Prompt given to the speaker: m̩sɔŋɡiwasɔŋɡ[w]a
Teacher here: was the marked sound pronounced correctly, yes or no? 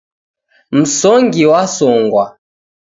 yes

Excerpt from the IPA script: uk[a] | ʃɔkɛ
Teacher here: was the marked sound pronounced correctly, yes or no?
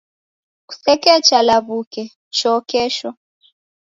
no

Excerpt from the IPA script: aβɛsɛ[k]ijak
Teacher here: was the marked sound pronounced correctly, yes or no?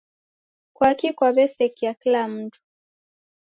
yes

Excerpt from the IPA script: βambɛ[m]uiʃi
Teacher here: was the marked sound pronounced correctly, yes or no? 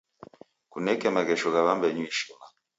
no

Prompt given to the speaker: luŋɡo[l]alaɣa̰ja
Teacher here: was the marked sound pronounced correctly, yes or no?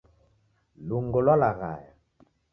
yes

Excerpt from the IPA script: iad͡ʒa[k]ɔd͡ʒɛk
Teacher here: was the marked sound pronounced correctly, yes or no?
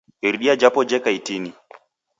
no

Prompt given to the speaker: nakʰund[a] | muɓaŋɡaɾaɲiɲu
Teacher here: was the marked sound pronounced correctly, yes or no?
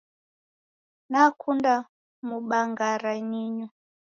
yes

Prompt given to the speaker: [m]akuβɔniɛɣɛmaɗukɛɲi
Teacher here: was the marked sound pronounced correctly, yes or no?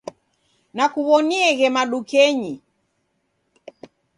no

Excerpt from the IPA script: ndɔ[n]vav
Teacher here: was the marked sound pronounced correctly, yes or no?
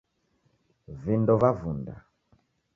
no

